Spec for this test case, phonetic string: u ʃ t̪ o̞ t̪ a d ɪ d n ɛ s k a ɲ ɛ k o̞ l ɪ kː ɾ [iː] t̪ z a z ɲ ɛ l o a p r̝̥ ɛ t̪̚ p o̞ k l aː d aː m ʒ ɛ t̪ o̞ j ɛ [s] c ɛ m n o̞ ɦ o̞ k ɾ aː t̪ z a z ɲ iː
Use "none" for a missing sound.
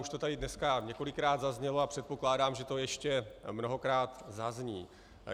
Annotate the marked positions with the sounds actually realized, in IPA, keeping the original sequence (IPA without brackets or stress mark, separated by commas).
aː, ʃ